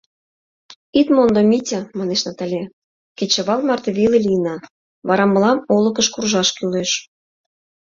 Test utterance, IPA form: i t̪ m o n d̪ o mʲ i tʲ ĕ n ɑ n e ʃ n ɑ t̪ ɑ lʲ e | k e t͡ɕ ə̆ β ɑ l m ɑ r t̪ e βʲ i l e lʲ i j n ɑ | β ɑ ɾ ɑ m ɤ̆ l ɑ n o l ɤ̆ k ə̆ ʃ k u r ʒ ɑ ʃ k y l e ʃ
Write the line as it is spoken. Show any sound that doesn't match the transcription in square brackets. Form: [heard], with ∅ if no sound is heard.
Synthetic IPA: i t̪ m o n d̪ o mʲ i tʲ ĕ [m] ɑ n e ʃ n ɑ t̪ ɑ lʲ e | k e t͡ɕ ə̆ β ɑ l m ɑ r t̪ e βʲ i l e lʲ i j n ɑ | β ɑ ɾ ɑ m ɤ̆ l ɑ [m] o l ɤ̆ k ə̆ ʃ k u r ʒ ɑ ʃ k y l e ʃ